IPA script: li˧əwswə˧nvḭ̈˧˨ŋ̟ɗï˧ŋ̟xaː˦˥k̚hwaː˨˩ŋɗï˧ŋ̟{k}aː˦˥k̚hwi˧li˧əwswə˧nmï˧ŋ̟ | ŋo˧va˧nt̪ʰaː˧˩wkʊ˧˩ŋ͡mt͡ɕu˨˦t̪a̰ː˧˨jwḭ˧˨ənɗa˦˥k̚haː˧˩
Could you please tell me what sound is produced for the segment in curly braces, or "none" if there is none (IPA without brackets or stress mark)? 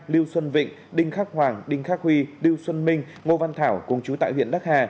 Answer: x